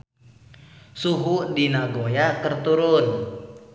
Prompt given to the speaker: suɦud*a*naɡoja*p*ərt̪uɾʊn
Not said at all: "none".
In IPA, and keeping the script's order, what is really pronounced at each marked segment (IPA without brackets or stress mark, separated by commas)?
i, k